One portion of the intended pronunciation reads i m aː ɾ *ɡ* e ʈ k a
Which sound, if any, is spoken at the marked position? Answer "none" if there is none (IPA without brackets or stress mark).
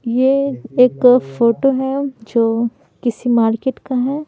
k